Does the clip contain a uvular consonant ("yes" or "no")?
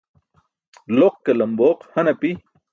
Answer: yes